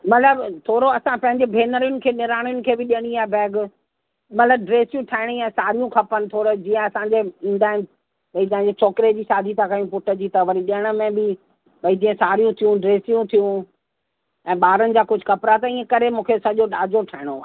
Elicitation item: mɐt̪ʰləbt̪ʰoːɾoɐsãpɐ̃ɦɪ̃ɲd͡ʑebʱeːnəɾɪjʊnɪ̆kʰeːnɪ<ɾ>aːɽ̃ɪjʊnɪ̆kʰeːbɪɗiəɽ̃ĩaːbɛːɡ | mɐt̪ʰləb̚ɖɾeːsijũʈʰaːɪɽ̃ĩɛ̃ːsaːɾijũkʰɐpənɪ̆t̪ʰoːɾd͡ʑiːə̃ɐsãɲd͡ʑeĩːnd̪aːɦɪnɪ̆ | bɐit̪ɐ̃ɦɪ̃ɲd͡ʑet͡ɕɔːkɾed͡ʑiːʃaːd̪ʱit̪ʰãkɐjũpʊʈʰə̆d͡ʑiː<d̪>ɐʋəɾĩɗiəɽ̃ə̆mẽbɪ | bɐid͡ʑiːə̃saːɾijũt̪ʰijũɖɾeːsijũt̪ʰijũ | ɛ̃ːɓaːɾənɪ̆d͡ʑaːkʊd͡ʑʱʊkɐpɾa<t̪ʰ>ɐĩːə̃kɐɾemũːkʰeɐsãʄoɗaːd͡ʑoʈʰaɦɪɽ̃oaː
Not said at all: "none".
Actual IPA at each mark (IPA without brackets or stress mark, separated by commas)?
ɾ, t̪, t̪